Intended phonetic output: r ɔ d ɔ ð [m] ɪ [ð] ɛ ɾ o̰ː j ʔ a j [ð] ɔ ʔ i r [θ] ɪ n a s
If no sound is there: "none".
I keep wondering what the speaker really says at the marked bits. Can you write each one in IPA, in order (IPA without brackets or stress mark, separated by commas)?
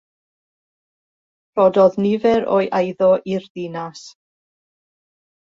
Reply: n, v, ð, ð